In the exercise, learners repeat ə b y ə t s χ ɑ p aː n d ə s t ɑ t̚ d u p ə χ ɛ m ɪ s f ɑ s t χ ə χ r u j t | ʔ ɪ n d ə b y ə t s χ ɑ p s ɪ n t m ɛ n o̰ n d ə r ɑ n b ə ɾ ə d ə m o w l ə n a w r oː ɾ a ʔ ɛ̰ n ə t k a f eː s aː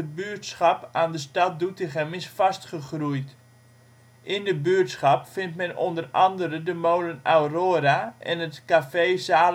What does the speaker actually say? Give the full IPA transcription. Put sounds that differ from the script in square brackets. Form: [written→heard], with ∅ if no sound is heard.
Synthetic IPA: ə b y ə t s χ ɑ p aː n d ə s t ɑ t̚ d u [p→t] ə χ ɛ m ɪ s f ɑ s t χ ə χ r u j t | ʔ ɪ n d ə b y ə t s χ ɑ p [s→f] ɪ n t m ɛ n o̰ n d ə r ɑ n [b→d] ə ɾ ə d ə m o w l ə n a w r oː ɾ a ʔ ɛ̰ n ə t k a f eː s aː

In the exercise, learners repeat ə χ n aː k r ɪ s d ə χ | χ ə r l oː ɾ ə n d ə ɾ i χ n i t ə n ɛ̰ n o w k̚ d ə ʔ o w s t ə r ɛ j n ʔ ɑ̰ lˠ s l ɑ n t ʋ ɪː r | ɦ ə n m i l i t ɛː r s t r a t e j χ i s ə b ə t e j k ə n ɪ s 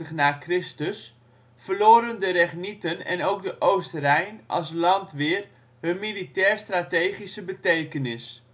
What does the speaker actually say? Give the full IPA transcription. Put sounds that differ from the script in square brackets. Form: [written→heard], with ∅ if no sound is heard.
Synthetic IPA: ə χ n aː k r ɪ s [d→t] ə [χ→s] | [χ→f] ə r l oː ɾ ə n d ə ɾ [i→ɛ] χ n i t ə n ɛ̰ n o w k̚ d ə ʔ o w s t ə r ɛ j n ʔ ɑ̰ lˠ s l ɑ n t ʋ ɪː r | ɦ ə n m i l i t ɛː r s t r a t e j χ i s ə b ə t e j k ə n ɪ s

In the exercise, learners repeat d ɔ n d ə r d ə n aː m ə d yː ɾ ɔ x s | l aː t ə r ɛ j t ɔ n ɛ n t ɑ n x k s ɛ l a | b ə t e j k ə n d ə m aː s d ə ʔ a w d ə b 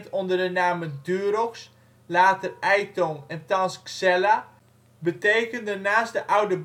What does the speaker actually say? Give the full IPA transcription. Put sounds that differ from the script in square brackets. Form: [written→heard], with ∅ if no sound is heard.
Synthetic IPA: [d→t] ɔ n d ə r d ə n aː m ə d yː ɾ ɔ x s | l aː t ə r ɛ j t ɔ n ɛ n t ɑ n [x→s] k s ɛ l a | b ə t e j k ə n d ə [m→n] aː s d ə ʔ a w d ə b

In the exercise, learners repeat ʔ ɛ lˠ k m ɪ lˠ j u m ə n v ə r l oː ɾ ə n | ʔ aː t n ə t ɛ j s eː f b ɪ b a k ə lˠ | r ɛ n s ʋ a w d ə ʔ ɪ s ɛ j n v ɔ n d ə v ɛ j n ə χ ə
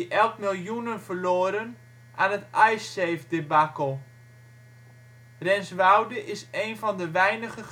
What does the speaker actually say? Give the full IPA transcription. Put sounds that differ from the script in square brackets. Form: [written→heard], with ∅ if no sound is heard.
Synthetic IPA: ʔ ɛ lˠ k m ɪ lˠ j u [m→n] ə n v ə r l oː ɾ ə n | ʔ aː [t→∅] n ə t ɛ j s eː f [b→d] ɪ b a k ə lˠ | r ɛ n s ʋ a w d ə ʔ ɪ s [ɛ→e] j n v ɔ n d ə [v→ʋ] ɛ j n ə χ ə

